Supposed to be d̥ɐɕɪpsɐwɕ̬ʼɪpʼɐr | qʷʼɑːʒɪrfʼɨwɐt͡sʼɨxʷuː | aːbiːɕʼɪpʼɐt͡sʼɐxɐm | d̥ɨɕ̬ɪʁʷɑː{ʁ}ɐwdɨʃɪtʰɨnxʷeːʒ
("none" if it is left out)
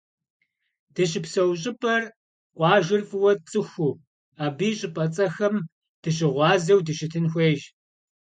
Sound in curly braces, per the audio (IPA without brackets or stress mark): z